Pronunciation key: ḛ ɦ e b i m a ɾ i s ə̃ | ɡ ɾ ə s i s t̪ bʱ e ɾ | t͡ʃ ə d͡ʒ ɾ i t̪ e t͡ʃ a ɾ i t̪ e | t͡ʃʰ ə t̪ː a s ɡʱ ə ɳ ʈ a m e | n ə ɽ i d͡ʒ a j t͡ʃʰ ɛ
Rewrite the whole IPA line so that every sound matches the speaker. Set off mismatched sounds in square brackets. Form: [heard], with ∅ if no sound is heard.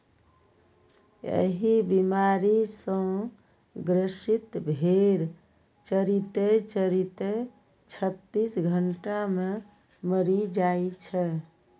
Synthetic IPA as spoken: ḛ ɦ [i] b i m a ɾ i s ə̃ | ɡ ɾ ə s i [∅] t̪ bʱ e ɾ | t͡ʃ ə [∅] ɾ i t̪ e t͡ʃ [ə] ɾ i t̪ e | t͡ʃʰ ə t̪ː [i] s ɡʱ ə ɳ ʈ a m e | [m] ə [ɾ] i d͡ʒ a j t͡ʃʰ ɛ